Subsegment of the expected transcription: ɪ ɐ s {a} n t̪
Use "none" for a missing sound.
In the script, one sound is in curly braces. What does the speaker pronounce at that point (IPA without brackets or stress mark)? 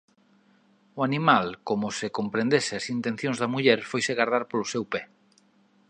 i